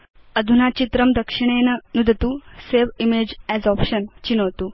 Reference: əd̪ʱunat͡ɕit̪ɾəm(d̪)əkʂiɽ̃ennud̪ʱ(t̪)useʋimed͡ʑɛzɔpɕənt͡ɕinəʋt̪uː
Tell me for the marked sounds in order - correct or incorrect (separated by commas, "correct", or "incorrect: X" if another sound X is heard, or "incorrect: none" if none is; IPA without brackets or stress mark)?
correct, correct